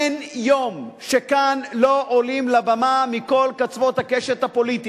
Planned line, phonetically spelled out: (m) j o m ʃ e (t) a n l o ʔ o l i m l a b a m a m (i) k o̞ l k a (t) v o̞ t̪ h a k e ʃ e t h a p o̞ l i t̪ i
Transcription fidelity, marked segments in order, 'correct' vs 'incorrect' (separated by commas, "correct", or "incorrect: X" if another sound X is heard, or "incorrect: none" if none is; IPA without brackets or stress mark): incorrect: n, incorrect: k, correct, incorrect: t͡s